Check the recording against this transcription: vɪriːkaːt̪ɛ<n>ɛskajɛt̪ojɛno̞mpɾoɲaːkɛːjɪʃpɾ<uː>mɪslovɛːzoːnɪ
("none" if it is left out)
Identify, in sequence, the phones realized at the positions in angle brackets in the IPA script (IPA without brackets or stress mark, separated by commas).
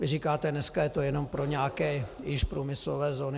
n, uː